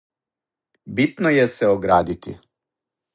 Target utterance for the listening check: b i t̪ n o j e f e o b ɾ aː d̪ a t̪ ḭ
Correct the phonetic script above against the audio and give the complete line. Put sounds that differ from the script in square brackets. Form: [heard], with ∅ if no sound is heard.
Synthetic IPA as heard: b i t̪ n o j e [s] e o [ɡ] ɾ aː d̪ [i] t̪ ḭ